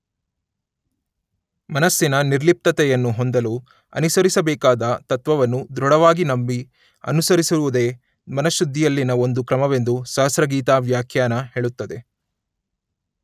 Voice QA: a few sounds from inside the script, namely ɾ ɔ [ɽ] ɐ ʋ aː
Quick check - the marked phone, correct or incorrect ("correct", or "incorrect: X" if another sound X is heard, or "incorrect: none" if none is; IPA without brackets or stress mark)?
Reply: correct